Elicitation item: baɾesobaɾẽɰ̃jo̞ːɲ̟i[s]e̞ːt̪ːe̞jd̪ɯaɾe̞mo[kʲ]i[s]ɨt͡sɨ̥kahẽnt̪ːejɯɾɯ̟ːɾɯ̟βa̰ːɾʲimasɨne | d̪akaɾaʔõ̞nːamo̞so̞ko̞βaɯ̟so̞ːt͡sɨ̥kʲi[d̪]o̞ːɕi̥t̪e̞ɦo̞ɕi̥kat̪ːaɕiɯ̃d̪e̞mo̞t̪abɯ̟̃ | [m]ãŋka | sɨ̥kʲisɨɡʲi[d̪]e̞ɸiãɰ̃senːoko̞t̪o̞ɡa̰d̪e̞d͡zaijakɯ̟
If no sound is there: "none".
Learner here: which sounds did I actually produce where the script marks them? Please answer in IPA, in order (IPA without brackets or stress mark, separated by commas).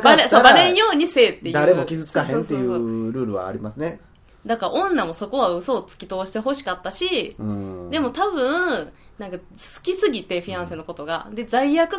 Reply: s, kʲ, z, t̪, n, t̪